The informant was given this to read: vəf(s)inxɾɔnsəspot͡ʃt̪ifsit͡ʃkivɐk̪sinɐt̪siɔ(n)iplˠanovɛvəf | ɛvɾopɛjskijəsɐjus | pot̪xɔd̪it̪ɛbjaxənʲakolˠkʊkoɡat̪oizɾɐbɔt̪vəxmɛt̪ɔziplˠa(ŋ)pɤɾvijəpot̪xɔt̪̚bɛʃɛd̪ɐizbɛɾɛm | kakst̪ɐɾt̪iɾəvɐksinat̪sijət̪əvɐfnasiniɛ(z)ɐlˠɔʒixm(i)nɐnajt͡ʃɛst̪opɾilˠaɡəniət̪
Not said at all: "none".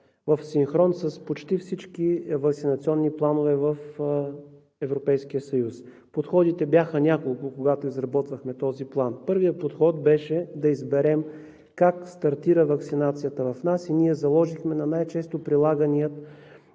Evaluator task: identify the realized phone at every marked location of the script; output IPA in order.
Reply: s, nː, n, z, ɛ

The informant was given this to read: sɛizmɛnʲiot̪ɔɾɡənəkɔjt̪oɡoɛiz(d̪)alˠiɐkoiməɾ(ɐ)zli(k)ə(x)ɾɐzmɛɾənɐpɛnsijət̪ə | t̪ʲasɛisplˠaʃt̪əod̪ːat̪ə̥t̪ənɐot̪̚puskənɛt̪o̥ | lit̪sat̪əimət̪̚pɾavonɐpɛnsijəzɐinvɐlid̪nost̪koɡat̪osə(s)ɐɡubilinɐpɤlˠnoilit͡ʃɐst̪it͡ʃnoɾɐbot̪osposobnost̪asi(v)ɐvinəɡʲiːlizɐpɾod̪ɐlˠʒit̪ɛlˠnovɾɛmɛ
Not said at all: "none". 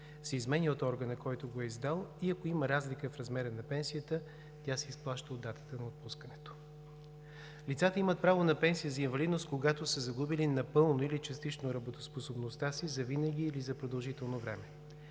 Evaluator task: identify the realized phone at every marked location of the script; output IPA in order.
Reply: d̪, a, k, f, z, z

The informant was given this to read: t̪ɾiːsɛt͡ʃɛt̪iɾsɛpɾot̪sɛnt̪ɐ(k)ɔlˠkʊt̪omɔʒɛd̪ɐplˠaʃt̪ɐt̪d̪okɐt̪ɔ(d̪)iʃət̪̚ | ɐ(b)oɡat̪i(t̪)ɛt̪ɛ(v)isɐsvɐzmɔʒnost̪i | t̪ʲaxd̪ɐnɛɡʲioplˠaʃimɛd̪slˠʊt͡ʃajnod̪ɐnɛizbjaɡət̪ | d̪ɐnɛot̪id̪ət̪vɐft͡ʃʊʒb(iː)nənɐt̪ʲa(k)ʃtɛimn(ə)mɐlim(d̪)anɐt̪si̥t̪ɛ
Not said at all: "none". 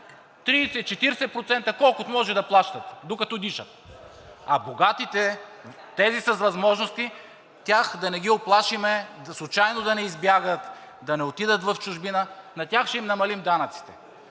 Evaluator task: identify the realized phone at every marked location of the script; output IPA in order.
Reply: k, d̪, b, t̪, z, i, x, ɐ, d̪

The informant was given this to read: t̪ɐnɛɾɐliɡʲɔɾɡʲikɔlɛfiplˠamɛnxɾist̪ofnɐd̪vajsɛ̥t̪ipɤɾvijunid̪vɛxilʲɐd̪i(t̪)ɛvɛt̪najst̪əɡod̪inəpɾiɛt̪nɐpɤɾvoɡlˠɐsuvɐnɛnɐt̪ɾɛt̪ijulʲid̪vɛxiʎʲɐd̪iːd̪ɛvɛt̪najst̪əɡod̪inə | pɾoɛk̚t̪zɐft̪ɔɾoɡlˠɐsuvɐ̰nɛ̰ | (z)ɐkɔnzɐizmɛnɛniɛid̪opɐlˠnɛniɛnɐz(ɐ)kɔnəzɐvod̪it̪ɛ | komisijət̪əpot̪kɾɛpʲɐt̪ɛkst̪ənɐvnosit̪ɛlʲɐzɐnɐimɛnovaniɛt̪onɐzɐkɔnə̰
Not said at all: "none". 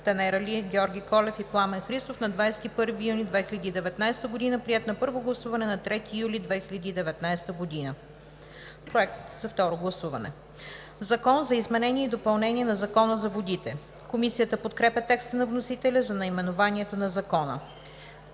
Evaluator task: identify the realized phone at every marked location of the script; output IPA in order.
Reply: d̪, z, ɐ

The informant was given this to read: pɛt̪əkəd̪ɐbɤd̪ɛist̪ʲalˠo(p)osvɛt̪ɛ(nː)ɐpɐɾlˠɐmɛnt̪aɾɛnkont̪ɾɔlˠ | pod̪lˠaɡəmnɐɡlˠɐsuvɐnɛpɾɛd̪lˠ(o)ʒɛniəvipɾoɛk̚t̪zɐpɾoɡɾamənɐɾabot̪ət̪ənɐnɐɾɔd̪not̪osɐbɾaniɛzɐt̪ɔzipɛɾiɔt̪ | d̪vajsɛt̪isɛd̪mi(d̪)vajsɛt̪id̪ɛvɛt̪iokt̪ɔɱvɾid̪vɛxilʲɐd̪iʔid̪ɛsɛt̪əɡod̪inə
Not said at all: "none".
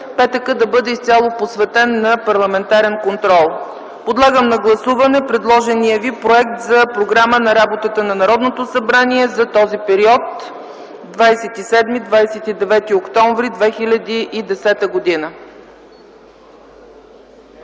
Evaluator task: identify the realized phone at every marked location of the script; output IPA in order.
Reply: p, nː, ɔ, d̪

